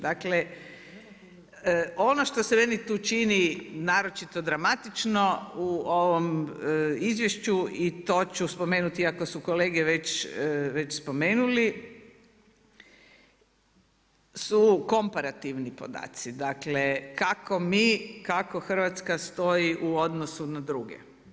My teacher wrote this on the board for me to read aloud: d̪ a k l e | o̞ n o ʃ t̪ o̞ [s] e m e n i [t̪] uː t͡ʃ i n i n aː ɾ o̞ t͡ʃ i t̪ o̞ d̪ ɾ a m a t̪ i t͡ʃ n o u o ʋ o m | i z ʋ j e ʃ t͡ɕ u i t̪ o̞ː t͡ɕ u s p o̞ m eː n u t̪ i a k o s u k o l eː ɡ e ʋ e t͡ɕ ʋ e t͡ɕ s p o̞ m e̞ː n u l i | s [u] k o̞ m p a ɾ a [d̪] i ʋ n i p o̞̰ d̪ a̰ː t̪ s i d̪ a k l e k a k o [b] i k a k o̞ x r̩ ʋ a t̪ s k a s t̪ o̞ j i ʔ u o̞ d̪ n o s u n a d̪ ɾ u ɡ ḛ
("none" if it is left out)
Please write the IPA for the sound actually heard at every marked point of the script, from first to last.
s, t̪, u, t̪, m

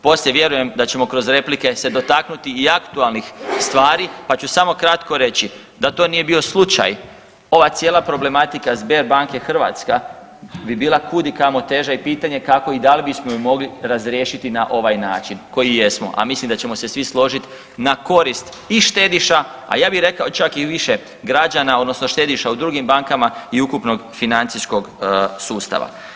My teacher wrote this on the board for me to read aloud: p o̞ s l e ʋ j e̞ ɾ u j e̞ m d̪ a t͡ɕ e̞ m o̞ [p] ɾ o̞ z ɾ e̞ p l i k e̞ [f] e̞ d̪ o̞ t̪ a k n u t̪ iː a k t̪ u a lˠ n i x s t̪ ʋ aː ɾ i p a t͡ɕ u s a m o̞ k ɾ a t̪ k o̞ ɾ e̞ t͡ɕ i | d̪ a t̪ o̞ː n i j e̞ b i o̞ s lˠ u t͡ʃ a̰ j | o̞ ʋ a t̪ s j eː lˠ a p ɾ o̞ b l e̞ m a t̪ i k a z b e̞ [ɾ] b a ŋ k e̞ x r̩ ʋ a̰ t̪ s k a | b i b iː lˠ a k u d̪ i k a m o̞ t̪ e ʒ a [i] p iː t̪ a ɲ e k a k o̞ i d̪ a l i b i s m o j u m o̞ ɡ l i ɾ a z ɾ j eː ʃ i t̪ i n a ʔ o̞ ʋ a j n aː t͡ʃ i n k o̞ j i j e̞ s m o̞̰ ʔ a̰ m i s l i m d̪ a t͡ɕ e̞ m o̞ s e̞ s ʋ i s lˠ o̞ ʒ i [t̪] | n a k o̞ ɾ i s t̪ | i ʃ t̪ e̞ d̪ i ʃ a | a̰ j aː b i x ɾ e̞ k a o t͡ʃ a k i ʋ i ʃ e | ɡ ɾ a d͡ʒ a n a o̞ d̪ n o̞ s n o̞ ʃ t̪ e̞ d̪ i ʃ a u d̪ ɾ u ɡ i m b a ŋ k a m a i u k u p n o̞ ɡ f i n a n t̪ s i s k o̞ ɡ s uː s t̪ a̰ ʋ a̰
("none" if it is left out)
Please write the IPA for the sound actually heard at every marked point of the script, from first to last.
k, s, ɾ, i, t̪

